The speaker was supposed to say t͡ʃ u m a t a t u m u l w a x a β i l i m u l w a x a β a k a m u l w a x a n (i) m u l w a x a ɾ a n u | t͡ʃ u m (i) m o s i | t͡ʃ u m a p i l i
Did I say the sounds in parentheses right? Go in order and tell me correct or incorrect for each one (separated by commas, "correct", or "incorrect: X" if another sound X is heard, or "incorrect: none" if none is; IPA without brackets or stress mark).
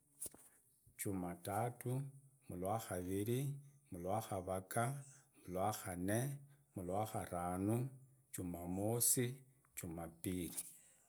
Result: incorrect: e, incorrect: a